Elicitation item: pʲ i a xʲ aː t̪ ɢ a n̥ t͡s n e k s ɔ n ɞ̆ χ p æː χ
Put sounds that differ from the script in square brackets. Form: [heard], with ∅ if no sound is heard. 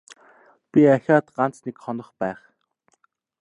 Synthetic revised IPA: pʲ i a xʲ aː t̪ ɢ a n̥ t͡s n e k [χ] ɔ n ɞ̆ χ p æː χ